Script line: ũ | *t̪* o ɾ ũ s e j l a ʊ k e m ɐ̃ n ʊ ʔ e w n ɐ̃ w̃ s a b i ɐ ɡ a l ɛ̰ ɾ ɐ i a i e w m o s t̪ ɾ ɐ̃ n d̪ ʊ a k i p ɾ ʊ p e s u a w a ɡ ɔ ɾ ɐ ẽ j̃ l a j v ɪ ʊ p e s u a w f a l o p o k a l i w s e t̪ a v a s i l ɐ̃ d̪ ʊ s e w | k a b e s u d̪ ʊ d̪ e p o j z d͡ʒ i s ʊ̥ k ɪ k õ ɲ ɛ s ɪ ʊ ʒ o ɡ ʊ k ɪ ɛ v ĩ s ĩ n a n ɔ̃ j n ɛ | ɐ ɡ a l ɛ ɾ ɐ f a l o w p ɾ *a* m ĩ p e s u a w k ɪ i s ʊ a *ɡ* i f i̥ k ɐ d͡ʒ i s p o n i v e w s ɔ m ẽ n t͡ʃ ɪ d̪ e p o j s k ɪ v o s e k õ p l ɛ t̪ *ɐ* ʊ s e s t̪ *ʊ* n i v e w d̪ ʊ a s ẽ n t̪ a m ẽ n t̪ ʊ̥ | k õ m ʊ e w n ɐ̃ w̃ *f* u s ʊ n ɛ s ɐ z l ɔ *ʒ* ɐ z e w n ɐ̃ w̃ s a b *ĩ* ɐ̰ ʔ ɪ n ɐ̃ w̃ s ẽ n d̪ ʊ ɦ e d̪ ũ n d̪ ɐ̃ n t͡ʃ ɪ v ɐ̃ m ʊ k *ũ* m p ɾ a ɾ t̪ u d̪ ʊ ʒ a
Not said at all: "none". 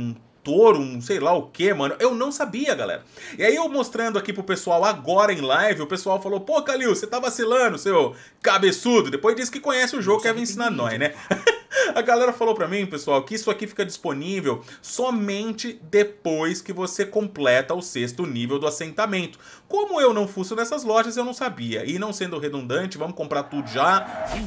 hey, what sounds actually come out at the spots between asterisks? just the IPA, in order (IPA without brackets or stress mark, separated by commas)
t̪, ɐ, k, ɐ, ʊ, f, ʒ, i, õ